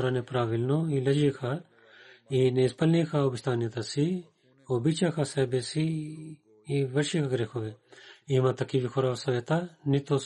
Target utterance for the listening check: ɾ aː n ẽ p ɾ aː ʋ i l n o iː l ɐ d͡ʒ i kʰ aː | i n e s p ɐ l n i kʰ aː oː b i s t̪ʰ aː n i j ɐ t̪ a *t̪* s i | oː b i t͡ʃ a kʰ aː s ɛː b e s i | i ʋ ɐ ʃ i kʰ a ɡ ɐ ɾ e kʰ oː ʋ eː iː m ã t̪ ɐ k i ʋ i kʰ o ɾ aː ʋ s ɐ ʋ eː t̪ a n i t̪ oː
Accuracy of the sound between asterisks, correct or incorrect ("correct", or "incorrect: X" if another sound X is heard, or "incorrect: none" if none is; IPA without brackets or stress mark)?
incorrect: none